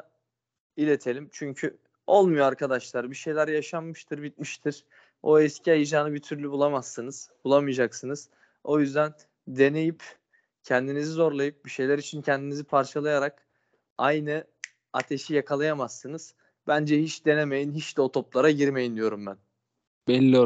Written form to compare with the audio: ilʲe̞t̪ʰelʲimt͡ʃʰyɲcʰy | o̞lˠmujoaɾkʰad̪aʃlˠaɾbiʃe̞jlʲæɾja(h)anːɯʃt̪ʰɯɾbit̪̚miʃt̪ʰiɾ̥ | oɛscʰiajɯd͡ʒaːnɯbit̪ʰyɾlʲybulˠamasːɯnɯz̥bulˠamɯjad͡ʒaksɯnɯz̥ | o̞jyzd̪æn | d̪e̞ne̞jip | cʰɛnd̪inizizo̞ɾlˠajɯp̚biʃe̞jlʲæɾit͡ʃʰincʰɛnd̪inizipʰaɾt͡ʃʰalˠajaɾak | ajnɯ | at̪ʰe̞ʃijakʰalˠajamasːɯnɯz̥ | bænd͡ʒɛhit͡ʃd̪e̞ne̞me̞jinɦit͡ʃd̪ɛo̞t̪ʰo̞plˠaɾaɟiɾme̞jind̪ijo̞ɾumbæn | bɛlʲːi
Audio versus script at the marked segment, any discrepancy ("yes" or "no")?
yes